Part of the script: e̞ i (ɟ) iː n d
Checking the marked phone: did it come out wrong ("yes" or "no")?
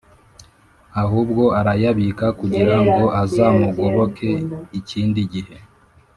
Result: yes